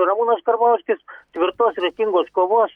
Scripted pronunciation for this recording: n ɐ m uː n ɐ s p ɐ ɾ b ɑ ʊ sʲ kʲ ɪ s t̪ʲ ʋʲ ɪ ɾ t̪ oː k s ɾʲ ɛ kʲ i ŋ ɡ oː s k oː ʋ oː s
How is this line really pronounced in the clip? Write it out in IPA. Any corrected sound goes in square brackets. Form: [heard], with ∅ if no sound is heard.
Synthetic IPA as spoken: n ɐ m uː n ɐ s [k] ɐ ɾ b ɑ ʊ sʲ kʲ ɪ s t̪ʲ ʋʲ ɪ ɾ t̪ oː [∅] s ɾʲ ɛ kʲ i ŋ ɡ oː s k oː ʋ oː s